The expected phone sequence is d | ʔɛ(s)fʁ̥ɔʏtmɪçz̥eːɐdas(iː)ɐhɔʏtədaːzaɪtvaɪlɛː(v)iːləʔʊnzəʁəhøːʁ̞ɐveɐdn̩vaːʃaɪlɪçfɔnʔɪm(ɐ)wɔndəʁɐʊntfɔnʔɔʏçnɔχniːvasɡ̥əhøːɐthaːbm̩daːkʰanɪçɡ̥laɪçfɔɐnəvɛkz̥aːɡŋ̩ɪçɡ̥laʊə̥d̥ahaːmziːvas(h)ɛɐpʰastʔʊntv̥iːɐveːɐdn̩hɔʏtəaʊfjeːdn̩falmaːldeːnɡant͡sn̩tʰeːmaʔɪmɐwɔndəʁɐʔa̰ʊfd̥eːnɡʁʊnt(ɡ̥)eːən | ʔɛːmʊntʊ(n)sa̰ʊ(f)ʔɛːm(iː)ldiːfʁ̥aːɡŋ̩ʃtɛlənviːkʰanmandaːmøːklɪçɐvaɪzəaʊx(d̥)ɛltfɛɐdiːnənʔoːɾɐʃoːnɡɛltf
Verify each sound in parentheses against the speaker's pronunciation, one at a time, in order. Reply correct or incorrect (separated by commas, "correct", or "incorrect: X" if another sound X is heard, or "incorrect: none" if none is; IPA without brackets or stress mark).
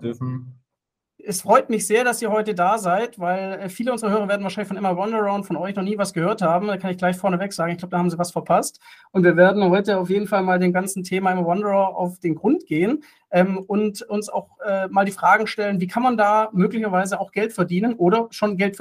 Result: correct, correct, incorrect: f, correct, incorrect: f, correct, correct, incorrect: x, incorrect: aː, incorrect: ɡ̥